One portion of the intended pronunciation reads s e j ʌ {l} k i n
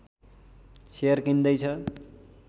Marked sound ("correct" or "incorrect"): incorrect